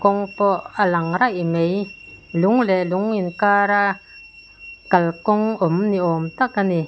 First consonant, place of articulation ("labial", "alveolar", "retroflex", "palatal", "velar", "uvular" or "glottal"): velar